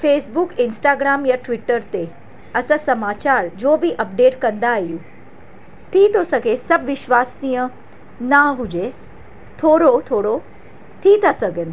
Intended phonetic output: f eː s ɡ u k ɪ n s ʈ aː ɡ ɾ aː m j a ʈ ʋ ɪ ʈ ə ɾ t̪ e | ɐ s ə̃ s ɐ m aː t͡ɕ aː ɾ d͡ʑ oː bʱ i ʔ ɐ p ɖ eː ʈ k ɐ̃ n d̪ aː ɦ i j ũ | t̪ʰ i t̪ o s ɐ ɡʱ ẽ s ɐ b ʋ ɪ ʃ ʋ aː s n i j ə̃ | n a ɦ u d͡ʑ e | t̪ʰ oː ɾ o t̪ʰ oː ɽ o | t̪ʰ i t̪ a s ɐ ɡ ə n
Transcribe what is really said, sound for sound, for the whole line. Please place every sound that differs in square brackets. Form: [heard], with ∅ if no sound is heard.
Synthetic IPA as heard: f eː s [b] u k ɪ n s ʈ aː ɡ ɾ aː m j a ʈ ʋ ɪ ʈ ə ɾ t̪ e | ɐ s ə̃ s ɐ m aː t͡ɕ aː ɾ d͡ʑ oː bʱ i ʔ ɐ p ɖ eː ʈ k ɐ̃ n d̪ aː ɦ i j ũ | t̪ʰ i t̪ o s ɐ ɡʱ [e] s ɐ b ʋ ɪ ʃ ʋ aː s n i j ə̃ | n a ɦ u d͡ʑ e | t̪ʰ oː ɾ o t̪ʰ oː ɽ o | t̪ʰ i t̪ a s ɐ ɡ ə n